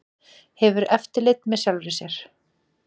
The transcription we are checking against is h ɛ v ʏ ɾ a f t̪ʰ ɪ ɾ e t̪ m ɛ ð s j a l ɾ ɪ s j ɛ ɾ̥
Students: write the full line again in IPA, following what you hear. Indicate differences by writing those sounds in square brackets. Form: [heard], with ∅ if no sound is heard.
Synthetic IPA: h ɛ v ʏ ɾ [ɛ] f [t̪] ɪ [l] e t̪ m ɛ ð s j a l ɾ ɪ s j ɛ ɾ̥